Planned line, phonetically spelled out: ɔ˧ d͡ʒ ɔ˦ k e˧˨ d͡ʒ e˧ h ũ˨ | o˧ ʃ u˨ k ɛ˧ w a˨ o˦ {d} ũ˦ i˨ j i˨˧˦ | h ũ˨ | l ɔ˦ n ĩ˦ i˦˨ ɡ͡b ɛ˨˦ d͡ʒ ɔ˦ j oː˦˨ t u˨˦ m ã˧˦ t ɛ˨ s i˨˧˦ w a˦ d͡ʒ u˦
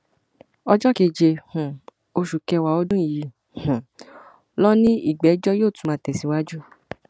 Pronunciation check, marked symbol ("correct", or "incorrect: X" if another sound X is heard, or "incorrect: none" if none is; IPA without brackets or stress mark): correct